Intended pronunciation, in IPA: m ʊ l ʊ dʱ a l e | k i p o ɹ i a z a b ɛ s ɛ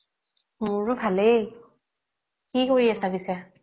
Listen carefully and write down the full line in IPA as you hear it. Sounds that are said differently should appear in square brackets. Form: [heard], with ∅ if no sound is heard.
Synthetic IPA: m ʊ [ɹ] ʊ [bʱ] a l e | k i [k] o ɹ i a [s] a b [i] s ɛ